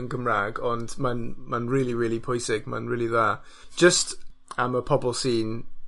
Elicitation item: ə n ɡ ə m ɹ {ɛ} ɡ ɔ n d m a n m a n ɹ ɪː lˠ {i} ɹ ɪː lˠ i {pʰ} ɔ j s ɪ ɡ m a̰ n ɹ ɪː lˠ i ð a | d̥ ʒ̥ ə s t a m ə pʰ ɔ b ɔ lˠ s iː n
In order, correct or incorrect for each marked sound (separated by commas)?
incorrect, correct, correct